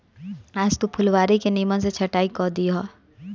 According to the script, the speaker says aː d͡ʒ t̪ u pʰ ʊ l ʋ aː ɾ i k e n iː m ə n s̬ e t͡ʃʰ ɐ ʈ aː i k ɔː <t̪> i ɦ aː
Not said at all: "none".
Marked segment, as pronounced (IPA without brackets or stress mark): d̪